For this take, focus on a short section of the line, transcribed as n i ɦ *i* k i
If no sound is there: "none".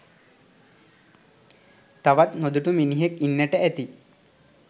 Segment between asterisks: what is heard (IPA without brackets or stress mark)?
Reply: e